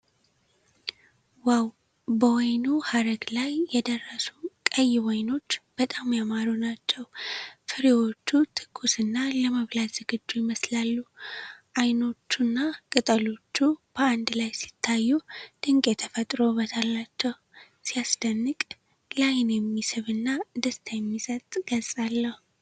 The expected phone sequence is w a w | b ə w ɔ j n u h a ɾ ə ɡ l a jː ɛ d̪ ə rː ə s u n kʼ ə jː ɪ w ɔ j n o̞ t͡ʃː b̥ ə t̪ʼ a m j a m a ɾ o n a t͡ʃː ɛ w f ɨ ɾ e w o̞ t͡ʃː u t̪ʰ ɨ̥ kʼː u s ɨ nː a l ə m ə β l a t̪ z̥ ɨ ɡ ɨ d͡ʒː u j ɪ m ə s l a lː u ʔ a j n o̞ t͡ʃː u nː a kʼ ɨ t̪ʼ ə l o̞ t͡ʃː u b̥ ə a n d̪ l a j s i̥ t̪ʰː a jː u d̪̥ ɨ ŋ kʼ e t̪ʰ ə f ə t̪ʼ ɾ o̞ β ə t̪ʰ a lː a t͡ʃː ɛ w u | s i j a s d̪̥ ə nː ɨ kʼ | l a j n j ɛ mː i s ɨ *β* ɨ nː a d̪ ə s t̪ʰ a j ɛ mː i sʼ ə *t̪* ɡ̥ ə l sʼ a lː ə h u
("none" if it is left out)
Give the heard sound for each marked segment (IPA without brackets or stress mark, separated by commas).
β, t̪ʼ